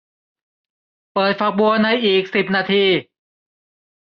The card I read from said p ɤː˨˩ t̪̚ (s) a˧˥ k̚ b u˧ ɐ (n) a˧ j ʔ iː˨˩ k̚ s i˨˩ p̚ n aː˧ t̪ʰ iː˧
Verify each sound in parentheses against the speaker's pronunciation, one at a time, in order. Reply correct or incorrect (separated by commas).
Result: incorrect, correct